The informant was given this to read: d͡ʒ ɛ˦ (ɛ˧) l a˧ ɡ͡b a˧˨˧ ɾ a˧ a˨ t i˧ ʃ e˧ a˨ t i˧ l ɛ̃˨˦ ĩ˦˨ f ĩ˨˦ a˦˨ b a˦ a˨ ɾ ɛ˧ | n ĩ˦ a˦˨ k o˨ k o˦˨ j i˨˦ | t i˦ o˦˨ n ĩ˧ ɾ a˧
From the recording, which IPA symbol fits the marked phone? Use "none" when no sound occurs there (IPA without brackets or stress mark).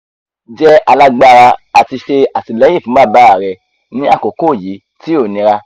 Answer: a˧